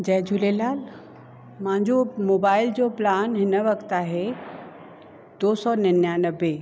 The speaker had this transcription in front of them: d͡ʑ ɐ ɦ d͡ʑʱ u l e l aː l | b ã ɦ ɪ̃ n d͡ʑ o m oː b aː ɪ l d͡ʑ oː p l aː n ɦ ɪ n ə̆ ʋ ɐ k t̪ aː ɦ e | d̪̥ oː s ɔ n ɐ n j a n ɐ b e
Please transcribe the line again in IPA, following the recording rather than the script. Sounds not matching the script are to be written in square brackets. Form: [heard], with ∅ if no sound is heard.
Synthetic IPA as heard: d͡ʑ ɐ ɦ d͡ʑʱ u l e l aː l | [m] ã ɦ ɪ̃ [ɲ] d͡ʑ o m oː b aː ɪ l d͡ʑ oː p l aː n ɦ ɪ n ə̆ ʋ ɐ k t̪ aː ɦ e | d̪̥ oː s ɔ n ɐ n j a n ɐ b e

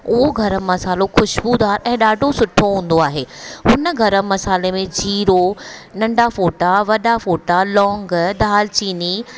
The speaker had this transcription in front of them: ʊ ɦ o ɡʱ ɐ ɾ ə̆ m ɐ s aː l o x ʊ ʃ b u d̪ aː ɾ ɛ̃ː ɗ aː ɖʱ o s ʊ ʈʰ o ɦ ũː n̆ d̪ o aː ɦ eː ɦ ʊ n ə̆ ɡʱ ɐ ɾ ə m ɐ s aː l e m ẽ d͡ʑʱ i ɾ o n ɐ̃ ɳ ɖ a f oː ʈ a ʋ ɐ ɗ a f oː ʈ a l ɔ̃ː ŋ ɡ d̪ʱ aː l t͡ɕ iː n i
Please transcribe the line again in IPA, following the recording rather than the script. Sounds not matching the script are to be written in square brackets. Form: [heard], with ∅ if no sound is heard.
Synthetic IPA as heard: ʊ ɦ o ɡʱ ɐ ɾ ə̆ m ɐ s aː l o x ʊ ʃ b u d̪ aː ɾ ɛ̃ː ɗ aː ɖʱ o s ʊ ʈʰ o ɦ ũː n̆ d̪ o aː ɦ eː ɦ ʊ n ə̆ ɡʱ ɐ ɾ ə m ɐ s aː l e m ẽ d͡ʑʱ [iː] ɾ o n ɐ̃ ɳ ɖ a f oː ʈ a ʋ ɐ ɗ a f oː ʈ a l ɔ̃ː ŋ ɡ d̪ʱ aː l t͡ɕ iː n i

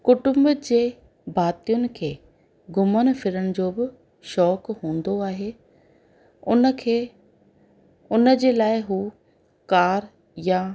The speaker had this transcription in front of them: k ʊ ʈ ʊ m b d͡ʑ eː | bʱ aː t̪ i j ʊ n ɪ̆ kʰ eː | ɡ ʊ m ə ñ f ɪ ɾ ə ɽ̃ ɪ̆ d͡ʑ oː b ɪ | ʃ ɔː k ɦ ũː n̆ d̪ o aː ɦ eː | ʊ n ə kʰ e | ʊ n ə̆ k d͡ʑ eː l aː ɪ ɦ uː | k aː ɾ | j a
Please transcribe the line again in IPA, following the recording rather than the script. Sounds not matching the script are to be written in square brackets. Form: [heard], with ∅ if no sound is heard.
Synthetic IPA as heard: k ʊ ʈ ʊ m b d͡ʑ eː | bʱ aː t̪ i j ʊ n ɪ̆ kʰ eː | ɡ ʊ m ə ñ f ɪ ɾ ə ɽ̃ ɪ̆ d͡ʑ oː b ɪ | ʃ ɔː k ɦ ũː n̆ d̪ o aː ɦ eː | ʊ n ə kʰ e | ʊ n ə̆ [∅] d͡ʑ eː l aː ɪ ɦ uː | k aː ɾ | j a

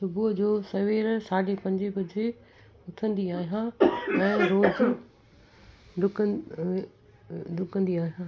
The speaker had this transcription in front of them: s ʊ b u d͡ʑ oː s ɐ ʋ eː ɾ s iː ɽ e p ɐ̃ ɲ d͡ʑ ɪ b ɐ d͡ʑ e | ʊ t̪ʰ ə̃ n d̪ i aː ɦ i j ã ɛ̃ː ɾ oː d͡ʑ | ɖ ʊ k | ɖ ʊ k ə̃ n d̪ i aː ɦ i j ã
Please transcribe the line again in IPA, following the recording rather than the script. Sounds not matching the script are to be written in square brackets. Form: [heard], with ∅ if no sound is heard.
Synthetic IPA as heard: s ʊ b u d͡ʑ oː s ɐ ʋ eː ɾ s [aː] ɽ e p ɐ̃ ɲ d͡ʑ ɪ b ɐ d͡ʑ e | ʊ t̪ʰ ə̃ n d̪ i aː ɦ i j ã ɛ̃ː ɾ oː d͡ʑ | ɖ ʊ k | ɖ ʊ k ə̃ n d̪ i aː ɦ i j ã

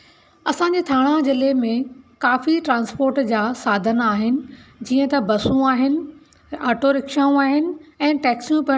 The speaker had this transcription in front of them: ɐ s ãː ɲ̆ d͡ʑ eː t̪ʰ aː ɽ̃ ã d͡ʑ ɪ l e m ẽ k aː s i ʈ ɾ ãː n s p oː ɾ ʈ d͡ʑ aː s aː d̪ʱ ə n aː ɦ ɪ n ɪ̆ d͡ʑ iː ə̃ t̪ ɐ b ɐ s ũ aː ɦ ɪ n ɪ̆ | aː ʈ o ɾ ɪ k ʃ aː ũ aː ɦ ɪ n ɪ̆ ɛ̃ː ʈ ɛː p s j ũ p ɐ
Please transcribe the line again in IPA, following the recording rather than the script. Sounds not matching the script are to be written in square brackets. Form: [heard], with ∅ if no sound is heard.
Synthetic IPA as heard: ɐ s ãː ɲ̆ d͡ʑ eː t̪ʰ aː ɽ̃ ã d͡ʑ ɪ l e m ẽ k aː [f] i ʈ ɾ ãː n s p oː ɾ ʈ d͡ʑ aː s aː d̪ʱ ə n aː ɦ ɪ n ɪ̆ d͡ʑ iː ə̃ t̪ ɐ b ɐ s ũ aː ɦ ɪ n ɪ̆ | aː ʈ o ɾ ɪ k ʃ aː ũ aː ɦ ɪ n ɪ̆ ɛ̃ː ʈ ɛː [k] s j ũ p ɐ

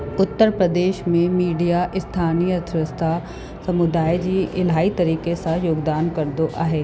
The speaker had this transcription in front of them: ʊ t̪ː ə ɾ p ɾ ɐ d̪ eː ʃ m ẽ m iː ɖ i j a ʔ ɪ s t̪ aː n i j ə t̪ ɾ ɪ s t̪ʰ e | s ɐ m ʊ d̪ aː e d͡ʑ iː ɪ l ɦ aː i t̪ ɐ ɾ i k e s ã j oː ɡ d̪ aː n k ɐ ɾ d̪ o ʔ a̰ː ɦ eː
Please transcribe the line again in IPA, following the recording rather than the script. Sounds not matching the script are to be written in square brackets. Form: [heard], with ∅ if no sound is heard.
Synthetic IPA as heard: ʊ t̪ː ə ɾ p ɾ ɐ d̪ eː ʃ m ẽ m iː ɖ i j a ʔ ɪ s [t̪ʰ] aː n i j ə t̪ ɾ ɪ s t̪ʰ [a] | s ɐ m ʊ d̪ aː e d͡ʑ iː ɪ l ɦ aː i t̪ ɐ ɾ [iː] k e s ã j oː ɡ d̪ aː n k ɐ ɾ d̪ o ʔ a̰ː ɦ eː

